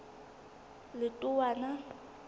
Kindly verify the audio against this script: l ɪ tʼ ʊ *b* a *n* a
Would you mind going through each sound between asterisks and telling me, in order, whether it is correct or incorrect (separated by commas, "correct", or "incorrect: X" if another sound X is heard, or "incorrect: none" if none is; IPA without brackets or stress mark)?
incorrect: w, correct